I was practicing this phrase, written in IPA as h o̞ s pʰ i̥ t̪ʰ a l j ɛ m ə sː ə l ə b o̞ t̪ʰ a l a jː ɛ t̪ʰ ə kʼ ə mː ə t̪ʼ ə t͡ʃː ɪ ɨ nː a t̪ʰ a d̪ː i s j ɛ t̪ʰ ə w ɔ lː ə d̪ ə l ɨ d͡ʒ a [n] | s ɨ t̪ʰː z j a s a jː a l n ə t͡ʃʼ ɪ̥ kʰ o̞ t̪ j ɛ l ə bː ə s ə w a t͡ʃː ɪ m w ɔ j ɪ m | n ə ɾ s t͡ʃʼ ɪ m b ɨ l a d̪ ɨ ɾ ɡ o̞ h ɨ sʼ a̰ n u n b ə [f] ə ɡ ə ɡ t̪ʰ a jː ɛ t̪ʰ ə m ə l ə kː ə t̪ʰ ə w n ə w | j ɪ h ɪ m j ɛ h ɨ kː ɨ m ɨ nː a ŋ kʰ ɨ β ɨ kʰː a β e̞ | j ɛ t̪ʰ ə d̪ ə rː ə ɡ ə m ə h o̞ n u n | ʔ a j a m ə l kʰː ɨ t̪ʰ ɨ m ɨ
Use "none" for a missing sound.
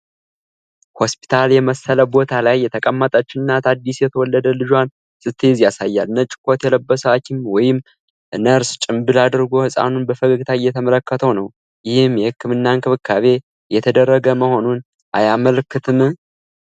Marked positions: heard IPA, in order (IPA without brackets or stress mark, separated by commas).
n, f